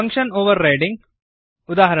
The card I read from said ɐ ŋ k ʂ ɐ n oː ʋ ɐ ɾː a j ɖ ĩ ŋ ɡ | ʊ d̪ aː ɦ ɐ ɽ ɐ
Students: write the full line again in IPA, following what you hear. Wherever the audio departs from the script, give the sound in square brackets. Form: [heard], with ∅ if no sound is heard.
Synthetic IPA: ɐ ŋ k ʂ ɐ n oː ʋ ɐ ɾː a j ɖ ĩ ŋ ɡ | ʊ d̪ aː ɦ ɐ [ɾ] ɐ